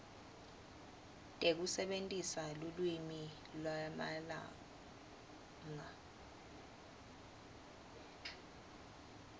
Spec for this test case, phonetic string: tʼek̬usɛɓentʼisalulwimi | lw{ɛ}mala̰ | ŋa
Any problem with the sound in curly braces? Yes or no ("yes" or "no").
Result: yes